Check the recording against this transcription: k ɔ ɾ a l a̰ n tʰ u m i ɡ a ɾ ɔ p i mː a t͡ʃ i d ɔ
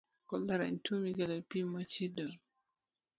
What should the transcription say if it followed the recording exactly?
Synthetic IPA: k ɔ l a ɾ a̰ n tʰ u m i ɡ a l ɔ p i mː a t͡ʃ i d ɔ